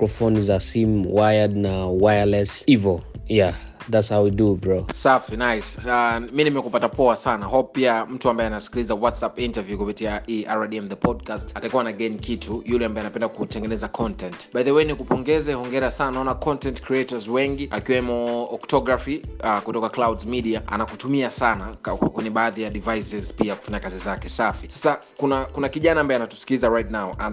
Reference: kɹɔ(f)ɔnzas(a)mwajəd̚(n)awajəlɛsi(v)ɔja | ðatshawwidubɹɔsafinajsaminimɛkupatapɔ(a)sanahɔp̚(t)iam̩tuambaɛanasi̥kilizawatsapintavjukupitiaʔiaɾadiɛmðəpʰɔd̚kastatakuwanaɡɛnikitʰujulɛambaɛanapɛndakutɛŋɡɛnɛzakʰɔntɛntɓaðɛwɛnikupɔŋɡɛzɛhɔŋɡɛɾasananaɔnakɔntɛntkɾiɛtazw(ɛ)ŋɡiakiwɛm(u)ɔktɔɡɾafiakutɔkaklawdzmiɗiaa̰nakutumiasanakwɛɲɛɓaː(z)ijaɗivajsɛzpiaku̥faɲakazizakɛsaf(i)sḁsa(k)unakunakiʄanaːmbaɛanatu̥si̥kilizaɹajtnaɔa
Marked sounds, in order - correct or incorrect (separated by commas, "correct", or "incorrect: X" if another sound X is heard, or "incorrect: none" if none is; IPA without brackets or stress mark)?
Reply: correct, incorrect: i, correct, correct, correct, incorrect: p, correct, incorrect: ɔ, incorrect: ð, correct, correct